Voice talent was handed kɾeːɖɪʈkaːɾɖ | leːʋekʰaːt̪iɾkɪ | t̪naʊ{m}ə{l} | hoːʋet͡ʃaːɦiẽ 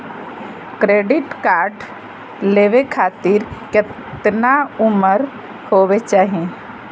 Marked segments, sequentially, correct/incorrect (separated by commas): correct, incorrect